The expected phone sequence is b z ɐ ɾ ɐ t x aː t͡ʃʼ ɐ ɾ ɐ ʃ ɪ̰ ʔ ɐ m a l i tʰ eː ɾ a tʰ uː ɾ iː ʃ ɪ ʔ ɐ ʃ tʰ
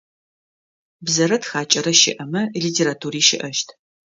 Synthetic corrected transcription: b z ɐ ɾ ɐ t x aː t͡ʃʼ ɐ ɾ ɐ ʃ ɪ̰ ʔ ɐ m ɐ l i tʰ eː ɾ a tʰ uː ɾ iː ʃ ɪ ʔ ɐ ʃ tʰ

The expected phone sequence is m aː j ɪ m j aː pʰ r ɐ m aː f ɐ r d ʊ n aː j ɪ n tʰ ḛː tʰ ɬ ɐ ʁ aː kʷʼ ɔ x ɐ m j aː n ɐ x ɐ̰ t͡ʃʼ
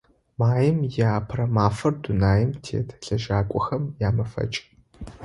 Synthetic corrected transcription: m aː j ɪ m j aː pʰ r ɐ m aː f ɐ r d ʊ n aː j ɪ m tʰ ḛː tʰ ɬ ɐ ʒ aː kʷʼ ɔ x ɐ m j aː m ɐ f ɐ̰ t͡ʃʼ

